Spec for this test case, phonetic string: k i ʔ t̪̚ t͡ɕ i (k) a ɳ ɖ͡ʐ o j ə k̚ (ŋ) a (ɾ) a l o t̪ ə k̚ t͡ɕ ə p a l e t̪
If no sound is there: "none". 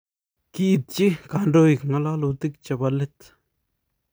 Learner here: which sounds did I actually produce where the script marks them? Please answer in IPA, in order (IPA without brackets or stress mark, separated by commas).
k, ŋ, l